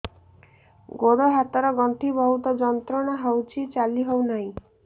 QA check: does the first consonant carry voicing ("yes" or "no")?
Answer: yes